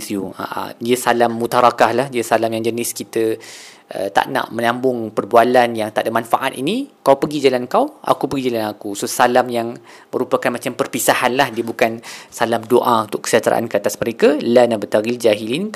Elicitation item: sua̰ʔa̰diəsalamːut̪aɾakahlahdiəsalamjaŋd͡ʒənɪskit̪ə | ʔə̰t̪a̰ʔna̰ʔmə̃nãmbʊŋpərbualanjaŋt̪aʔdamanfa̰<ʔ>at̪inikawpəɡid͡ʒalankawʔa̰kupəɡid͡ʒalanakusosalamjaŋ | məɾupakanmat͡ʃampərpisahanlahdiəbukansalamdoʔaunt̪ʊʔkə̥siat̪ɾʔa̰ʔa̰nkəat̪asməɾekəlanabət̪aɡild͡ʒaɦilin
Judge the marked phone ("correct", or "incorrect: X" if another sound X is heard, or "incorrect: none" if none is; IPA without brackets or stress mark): correct